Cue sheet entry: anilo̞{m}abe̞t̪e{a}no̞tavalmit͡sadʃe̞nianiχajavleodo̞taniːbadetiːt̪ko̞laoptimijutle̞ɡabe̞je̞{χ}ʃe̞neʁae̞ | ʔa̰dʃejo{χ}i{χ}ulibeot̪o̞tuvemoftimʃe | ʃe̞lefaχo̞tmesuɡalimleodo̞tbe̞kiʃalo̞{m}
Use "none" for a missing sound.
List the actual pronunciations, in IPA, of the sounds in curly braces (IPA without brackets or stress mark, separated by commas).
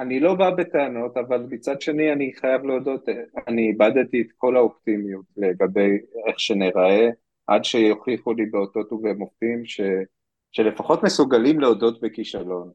b, a, χ, χ, χ, n